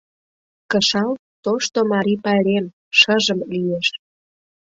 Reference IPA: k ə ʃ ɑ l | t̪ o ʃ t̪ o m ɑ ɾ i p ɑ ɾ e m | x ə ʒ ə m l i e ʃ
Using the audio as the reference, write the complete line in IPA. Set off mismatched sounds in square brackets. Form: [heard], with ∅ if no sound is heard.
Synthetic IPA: k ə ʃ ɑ l | t̪ o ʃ t̪ o m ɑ ɾ i p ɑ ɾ e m | [ʃ] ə ʒ ə m l i e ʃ